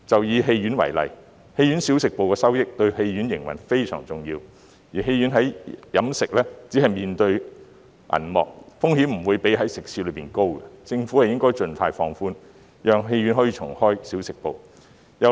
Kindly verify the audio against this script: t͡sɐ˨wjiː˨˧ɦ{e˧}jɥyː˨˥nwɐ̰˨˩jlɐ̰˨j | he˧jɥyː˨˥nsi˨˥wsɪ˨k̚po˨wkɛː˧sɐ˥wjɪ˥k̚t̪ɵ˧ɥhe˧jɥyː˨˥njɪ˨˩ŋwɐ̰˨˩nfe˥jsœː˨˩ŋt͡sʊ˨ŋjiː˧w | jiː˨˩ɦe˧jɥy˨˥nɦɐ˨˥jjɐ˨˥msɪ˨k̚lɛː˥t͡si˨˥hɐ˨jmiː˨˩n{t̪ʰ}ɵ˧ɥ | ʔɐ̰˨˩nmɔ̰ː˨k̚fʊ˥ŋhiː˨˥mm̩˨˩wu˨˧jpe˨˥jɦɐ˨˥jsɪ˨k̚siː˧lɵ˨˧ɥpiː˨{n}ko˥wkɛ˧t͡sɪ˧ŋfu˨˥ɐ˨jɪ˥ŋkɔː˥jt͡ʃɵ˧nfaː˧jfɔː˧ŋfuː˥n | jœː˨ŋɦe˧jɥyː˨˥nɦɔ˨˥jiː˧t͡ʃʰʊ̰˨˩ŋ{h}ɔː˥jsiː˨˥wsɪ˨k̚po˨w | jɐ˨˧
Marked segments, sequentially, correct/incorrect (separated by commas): correct, incorrect, correct, correct